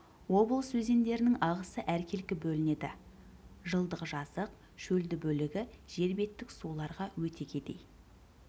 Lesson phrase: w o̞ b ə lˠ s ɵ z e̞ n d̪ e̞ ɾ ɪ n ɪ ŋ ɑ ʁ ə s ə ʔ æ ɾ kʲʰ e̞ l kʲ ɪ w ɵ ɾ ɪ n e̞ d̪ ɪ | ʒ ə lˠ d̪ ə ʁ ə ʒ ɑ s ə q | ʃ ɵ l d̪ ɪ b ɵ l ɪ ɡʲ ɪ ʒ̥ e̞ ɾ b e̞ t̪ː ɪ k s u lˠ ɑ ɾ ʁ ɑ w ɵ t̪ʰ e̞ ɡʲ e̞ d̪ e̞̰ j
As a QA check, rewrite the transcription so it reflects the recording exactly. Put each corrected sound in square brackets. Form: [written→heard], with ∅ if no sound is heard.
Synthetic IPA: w o̞ b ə lˠ s ɵ z e̞ n d̪ e̞ ɾ ɪ n ɪ ŋ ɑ ʁ ə s ə ʔ æ ɾ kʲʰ e̞ l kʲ ɪ [w→b] ɵ [ɾ→l] ɪ n e̞ d̪ ɪ | ʒ ə lˠ d̪ ə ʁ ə ʒ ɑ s ə q | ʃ ɵ l d̪ ɪ b ɵ l ɪ ɡʲ ɪ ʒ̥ e̞ ɾ b e̞ t̪ː ɪ k s u lˠ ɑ ɾ ʁ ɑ w ɵ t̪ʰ e̞ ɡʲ e̞ d̪ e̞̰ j